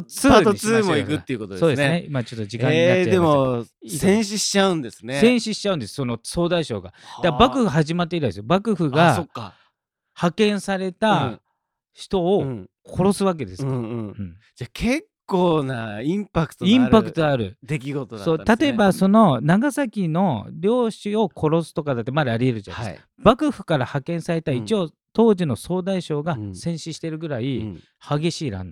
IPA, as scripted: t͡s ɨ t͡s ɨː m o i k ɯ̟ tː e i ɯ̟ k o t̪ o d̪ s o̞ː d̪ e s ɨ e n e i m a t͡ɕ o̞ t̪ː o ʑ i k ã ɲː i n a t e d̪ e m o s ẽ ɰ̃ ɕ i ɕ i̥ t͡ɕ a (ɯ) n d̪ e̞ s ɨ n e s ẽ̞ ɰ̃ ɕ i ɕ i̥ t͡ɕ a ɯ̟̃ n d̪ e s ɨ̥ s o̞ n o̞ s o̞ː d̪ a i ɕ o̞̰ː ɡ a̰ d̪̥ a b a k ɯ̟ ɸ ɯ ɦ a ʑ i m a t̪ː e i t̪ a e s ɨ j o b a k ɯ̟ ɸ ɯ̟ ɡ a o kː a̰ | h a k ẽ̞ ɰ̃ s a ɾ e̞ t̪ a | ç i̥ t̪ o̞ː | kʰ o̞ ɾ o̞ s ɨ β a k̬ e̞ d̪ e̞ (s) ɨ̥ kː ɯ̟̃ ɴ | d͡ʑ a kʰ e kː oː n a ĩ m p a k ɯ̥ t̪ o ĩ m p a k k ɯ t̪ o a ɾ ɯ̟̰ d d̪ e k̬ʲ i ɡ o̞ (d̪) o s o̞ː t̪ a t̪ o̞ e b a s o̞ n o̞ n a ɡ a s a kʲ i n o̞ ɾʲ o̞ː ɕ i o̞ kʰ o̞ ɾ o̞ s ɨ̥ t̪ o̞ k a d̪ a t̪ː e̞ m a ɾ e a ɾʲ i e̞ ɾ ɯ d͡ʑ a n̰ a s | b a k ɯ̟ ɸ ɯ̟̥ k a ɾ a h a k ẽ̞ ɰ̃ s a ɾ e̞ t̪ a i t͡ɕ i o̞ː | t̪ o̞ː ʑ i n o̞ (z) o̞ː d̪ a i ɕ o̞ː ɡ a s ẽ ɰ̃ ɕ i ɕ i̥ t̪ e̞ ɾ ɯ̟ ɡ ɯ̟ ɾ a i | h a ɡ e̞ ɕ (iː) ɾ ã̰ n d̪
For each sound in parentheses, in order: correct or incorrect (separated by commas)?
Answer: incorrect, correct, incorrect, incorrect, correct